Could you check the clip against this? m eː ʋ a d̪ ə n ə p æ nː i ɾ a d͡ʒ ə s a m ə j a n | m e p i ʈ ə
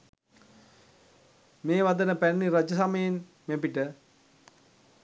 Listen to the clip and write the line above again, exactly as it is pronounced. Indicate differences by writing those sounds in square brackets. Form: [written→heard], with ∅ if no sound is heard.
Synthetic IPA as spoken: m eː ʋ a d̪ ə n ə p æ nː i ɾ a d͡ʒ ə s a m ə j [a→e] n | m e p i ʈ ə